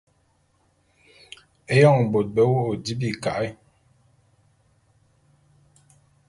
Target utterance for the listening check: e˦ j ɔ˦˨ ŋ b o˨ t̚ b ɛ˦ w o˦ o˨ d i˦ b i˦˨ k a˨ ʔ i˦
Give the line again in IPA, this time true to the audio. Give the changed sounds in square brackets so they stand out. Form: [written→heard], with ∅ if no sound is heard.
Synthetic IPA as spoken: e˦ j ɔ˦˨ ŋ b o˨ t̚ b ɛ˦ w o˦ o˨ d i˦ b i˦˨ k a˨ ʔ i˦